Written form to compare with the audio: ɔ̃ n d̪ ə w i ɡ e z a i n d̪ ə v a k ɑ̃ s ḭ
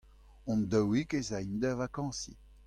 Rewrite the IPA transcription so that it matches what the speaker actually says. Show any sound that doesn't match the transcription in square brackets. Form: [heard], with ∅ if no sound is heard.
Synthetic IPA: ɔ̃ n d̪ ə w i [k] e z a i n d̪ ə v a k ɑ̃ s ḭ